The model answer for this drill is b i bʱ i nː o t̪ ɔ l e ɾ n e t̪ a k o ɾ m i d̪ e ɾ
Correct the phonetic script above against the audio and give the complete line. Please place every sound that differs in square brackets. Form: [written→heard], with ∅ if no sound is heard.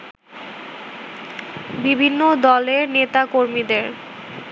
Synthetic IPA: b i bʱ i nː o [t̪→d̪] ɔ l e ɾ n e t̪ a k o ɾ m i d̪ e ɾ

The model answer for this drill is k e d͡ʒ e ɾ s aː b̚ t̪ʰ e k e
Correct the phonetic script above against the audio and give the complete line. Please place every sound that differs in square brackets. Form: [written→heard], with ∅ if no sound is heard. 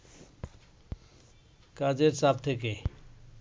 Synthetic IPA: k [e→a] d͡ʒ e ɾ s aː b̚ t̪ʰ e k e

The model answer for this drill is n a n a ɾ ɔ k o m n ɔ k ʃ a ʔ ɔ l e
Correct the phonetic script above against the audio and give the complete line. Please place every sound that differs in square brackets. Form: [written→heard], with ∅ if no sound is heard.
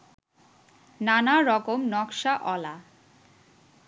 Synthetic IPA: n a n a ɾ ɔ k o m n ɔ k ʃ a ʔ ɔ l [e→a]

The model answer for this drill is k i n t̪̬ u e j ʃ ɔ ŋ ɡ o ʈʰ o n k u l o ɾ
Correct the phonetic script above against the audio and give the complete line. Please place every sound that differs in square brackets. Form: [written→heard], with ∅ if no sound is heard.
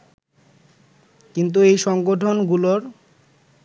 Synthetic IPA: k i n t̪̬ u e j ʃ ɔ ŋ ɡ o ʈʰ o n [k→ɡ] u l o ɾ

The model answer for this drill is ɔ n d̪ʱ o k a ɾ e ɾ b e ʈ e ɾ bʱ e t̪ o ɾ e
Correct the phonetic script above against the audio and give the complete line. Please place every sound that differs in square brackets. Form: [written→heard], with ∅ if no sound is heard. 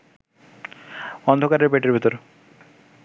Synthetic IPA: ɔ n d̪ʱ o k a ɾ e ɾ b e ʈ e ɾ bʱ [e→i] t̪ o ɾ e

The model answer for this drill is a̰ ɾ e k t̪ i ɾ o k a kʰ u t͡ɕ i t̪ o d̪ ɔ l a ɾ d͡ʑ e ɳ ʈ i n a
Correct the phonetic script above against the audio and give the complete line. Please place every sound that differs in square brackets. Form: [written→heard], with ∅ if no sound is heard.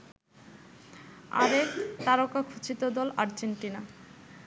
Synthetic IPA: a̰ ɾ e k t̪ [i→a] ɾ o k a kʰ u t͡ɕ i t̪ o d̪ ɔ l a ɾ d͡ʑ e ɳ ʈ i n a

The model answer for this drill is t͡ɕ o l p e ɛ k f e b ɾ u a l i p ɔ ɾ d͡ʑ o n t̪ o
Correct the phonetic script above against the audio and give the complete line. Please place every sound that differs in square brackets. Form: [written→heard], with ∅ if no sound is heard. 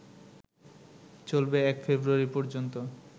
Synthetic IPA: t͡ɕ o l [p→b] e ɛ k f e b ɾ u a [l→ɾ] i p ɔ ɾ d͡ʑ o n t̪ o

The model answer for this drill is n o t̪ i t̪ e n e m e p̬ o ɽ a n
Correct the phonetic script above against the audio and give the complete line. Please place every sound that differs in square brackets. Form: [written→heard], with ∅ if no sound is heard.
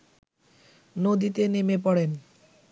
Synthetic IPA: n o [t̪→d̪] i t̪ e n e m e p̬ [o→ɔ] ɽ [a→e] n

